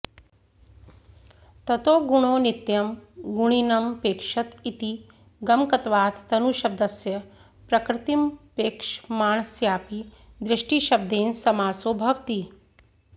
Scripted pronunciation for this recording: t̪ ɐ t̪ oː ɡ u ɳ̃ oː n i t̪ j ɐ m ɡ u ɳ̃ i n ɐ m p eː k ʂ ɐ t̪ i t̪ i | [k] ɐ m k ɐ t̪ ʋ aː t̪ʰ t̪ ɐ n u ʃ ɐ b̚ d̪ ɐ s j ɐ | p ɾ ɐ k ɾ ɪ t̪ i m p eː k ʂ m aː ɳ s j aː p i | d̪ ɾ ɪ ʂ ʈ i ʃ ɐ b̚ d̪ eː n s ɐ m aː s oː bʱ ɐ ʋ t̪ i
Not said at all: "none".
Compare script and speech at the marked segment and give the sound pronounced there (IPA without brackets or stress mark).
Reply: ɡ